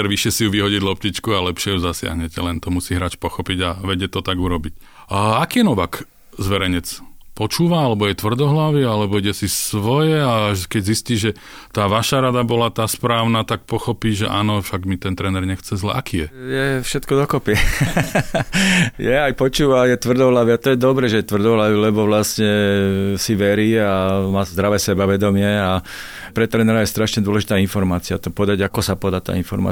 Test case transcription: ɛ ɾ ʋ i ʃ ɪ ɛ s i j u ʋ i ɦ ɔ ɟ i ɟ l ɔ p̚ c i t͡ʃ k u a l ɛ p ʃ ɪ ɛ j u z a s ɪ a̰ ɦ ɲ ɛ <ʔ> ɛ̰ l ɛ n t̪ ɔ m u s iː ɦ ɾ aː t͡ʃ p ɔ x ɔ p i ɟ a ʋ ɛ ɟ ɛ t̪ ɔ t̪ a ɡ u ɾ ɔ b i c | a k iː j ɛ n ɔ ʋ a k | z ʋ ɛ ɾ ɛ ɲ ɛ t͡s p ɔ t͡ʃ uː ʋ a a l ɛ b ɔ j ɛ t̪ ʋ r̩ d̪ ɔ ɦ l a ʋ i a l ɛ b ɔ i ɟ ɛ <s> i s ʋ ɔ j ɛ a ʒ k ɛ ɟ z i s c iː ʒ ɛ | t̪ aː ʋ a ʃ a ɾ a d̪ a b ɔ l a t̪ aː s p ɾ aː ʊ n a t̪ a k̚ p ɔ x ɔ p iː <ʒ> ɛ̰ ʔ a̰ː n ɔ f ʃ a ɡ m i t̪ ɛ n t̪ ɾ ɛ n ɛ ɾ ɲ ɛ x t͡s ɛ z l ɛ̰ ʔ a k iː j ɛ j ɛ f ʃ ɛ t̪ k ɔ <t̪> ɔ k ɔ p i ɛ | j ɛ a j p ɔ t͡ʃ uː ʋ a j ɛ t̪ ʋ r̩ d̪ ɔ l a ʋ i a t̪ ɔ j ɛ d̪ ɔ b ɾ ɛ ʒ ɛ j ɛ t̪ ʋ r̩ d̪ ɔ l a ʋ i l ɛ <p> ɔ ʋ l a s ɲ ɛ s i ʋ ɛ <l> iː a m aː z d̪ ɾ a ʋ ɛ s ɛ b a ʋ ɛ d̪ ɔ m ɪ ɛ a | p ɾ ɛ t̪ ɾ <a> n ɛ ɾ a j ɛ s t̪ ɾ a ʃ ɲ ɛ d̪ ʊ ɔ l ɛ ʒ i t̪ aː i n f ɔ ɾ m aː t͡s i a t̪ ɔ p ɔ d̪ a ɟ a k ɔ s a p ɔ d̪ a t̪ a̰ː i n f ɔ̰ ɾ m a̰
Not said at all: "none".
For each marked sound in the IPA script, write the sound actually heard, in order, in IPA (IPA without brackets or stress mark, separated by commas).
c, s, ʒ, d̪, b, ɾ, ɛ